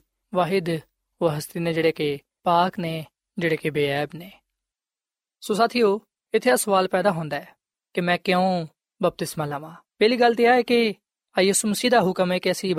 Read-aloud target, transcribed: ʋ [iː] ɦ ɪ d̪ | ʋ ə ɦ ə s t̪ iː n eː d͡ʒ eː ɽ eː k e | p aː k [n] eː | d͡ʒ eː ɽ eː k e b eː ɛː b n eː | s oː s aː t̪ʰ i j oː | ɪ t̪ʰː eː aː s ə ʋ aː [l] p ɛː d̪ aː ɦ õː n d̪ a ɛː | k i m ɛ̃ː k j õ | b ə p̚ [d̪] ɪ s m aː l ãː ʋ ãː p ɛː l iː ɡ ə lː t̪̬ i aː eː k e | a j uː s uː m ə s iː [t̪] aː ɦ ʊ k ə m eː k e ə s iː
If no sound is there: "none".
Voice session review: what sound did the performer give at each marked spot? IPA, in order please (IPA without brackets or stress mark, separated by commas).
aː, n, l, t̪, d̪